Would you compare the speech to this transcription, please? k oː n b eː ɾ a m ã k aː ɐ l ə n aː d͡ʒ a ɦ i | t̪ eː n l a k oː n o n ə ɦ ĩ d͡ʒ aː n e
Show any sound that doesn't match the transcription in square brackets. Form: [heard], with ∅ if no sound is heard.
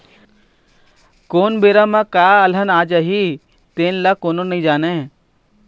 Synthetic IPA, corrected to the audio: k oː n b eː ɾ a m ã k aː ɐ l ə n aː d͡ʒ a ɦ i | t̪ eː n l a k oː n o n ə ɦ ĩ d͡ʒ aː n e